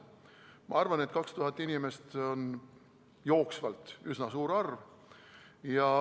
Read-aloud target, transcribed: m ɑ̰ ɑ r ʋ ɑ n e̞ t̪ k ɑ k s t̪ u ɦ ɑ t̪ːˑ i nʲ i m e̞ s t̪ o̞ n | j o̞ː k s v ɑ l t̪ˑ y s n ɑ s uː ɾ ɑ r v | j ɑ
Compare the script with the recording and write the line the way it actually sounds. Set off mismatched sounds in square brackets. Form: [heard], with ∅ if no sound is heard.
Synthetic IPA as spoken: m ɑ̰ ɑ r [v] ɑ n e̞ t̪ k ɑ k s t̪ u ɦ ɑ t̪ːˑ i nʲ i m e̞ s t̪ o̞ n | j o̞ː k s v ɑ l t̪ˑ y s n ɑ s uː ɾ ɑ r v | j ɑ

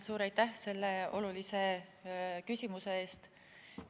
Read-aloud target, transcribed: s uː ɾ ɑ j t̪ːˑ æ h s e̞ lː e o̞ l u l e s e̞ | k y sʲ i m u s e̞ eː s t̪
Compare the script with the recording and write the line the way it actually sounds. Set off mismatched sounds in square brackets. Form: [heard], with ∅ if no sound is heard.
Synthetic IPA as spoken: s uː ɾ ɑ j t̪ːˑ æ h s e̞ lː e o̞ l u l [i] s e̞ | k y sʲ i m u s e̞ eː s t̪

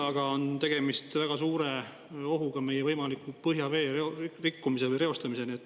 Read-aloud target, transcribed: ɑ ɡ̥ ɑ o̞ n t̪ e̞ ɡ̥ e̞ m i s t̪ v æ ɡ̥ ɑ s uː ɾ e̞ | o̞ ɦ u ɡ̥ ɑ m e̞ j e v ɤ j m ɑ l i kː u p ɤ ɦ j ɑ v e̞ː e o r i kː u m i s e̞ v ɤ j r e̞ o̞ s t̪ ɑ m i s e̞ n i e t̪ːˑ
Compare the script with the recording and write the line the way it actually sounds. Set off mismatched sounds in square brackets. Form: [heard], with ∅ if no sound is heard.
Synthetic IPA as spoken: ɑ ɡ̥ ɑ o̞ n t̪ e̞ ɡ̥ e̞ m i s t̪ v æ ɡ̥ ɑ s uː ɾ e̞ | o̞ ɦ u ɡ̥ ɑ m e̞ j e v ɤ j m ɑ l i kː u p ɤ ɦ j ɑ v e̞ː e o r i kː u m i s e̞ v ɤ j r e̞ o̞ s t̪ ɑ m i s e̞ n i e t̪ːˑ

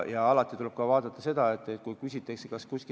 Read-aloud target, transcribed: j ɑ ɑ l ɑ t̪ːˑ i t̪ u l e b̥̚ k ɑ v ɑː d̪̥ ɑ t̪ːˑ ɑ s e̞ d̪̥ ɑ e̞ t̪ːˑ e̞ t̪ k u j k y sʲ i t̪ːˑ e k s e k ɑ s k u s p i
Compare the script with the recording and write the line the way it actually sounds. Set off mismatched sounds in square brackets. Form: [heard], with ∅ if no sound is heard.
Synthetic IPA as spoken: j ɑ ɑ l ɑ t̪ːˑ i t̪ u l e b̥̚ k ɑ v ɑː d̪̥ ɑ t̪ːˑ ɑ s e̞ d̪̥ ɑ e̞ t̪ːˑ e̞ t̪ k u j k y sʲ i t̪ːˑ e k s e k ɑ s k u s [k] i

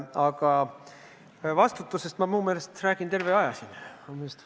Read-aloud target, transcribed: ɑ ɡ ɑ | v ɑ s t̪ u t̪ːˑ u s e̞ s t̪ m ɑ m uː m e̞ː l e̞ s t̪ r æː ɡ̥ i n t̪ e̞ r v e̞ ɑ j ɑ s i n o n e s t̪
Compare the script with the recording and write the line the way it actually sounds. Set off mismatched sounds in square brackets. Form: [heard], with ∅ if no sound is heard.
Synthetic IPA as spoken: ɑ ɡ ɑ | v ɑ s t̪ u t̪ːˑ u s e̞ s t̪ m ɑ m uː m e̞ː l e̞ s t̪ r æː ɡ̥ i n t̪ e̞ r v e̞ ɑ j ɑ s i n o [m] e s t̪

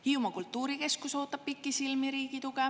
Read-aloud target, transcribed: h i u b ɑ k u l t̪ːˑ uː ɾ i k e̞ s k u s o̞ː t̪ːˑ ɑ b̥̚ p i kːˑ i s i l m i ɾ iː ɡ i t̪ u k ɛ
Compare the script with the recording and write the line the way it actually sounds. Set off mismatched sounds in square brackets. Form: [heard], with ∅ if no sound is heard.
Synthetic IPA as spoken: h i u [m] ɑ k u l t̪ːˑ uː ɾ i k e̞ s k u s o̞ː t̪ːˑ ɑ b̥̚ p i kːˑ i s i l m i ɾ iː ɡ i t̪ u k ɛ

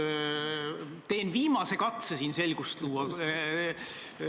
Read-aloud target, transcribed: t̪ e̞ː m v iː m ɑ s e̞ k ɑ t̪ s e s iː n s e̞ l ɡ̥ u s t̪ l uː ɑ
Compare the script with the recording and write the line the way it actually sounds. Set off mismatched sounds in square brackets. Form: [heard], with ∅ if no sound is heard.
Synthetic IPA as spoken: t̪ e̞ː [n] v iː m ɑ s e̞ k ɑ t̪ s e s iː n s e̞ l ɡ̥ u s t̪ l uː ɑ

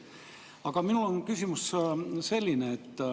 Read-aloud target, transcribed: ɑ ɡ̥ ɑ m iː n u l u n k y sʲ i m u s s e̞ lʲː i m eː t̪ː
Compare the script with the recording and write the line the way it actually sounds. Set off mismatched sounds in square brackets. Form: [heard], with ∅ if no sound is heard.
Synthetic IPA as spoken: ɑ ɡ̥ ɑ m [i] n u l [o] n k y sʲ i m u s s e̞ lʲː i [n] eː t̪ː

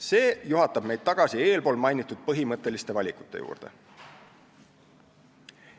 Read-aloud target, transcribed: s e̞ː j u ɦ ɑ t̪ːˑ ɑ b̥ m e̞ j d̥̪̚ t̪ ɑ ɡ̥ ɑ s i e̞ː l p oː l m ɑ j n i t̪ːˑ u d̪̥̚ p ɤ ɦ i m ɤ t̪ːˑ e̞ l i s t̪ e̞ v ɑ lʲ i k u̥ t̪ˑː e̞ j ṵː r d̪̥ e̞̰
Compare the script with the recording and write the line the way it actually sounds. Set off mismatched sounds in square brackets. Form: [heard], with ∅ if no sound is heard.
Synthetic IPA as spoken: s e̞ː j u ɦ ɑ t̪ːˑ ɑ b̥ m e̞ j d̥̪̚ t̪ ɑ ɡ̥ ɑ s i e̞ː l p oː l m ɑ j n i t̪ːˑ u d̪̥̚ p ɤ ɦ i m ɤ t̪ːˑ e̞ l i s t̪ e̞ v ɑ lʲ i k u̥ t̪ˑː e̞ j ṵː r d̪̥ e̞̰

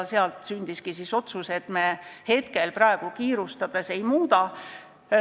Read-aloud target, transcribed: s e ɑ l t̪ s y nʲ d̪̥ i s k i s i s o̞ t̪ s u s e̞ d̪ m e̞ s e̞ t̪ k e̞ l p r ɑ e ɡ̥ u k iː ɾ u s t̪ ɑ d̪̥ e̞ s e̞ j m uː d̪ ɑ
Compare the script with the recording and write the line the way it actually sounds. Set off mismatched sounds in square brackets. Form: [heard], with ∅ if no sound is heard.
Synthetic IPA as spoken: s e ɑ l t̪ s y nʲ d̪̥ i s k i s i s o̞ t̪ s u s e̞ [t̪] m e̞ [h] e̞ t̪ k e̞ l p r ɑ e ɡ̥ u k iː ɾ u s t̪ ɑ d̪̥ e̞ s e̞ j m uː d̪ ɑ

